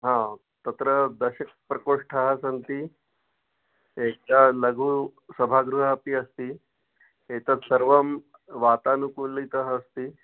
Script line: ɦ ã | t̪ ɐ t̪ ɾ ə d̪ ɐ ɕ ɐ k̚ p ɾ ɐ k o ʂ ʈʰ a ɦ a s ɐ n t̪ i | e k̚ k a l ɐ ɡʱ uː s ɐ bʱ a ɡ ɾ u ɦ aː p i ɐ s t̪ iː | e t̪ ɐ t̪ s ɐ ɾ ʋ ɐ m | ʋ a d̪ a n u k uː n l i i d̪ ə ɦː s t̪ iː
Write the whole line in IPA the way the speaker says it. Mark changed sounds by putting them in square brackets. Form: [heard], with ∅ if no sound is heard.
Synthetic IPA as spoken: ɦ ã | t̪ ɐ t̪ ɾ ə d̪ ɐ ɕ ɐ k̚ p ɾ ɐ k o ʂ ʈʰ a ɦ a s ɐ n t̪ i | e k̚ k a l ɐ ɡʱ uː s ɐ bʱ a ɡ ɾ u ɦ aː p i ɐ s t̪ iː | e t̪ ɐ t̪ s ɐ ɾ ʋ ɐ m | ʋ a [t̪] a n u k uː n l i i [t̪] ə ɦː s t̪ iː